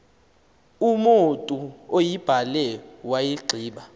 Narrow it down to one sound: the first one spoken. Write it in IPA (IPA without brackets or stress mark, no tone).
u